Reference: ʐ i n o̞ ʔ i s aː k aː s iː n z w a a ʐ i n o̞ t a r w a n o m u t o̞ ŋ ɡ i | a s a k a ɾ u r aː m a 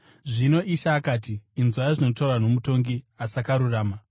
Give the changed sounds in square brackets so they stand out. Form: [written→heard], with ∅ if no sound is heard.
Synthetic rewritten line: ʐ i n o̞ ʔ i [s→ʃ] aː k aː [s→t] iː n z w a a ʐ i n o̞ t a r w a n o m u t o̞ ŋ ɡ i | a s a k a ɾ u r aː m a